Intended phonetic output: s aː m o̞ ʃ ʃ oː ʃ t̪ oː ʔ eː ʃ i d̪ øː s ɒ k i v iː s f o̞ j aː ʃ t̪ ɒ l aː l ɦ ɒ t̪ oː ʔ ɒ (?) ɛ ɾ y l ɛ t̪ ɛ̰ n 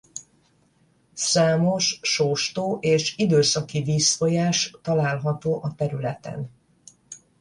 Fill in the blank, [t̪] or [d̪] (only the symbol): t̪